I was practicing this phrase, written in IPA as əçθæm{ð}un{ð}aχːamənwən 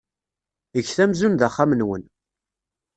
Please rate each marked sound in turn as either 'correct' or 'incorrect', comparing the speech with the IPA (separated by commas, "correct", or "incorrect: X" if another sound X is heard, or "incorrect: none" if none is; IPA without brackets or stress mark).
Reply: incorrect: z, correct